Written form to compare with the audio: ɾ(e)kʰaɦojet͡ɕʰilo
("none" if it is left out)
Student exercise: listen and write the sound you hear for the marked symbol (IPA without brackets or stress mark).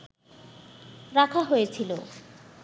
a